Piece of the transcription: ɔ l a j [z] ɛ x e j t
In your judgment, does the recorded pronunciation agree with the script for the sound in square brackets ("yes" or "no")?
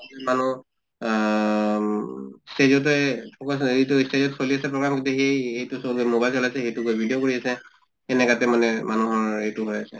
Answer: no